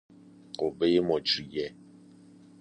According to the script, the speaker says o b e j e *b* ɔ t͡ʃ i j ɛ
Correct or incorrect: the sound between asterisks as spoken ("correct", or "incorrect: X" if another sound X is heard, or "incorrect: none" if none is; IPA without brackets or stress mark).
incorrect: m